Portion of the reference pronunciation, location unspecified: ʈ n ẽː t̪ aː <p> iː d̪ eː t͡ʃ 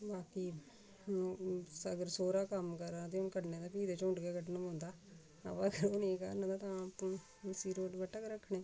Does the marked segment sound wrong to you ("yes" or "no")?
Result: no